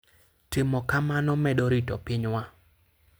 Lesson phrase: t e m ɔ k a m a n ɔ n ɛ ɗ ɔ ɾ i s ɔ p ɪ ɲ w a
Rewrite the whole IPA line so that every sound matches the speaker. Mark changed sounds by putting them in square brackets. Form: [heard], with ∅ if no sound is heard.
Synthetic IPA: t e m ɔ k a m a n ɔ [m] ɛ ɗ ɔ ɾ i [t] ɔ p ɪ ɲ w a